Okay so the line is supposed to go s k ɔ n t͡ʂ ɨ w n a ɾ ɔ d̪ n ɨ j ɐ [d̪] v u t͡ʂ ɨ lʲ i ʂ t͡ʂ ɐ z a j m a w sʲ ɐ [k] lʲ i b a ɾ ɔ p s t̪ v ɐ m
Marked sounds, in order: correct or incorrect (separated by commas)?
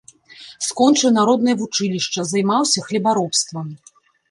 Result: incorrect, incorrect